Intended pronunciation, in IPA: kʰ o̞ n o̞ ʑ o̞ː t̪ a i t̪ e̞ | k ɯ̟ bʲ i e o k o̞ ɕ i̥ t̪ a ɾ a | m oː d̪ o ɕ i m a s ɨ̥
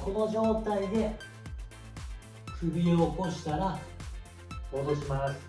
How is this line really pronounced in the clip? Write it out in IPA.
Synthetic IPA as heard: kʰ o̞ n o̞ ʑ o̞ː t̪ a i d̪ e̞ | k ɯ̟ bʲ i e o k o̞ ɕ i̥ t̪ a ɾ a | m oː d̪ o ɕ i m a s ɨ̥